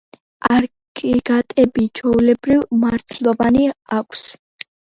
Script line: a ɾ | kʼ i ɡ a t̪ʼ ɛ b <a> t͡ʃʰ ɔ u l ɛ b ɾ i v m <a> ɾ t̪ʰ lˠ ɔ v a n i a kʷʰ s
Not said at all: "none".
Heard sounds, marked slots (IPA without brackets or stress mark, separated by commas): i, a